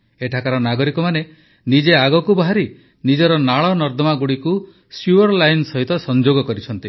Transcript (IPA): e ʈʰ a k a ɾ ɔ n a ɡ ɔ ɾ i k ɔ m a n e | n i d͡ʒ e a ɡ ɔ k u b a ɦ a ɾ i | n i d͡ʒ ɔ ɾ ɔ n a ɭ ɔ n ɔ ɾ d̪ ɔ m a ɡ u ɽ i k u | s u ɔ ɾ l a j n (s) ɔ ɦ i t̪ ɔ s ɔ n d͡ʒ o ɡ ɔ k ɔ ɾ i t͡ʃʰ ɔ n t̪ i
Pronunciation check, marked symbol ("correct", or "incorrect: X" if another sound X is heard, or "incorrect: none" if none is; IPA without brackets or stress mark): correct